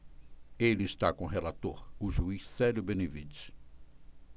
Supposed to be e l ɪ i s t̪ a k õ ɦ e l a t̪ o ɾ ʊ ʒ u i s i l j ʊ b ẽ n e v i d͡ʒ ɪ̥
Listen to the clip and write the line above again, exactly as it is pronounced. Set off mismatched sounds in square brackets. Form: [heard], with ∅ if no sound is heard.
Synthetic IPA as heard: e l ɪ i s t̪ a k õ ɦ e l a t̪ o ɾ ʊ ʒ u i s [ɛ] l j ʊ b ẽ n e v i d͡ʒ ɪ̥